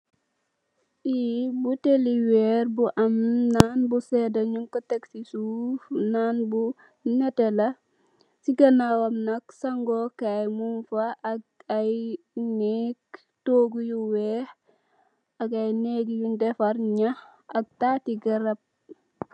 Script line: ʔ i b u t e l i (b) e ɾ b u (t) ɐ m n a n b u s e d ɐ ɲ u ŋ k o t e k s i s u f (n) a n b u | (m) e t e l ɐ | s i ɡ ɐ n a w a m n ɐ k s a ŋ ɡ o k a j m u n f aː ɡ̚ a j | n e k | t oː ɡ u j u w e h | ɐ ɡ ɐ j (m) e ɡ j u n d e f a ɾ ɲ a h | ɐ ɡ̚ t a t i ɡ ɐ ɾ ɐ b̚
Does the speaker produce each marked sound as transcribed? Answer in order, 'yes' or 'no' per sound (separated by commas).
no, no, yes, no, no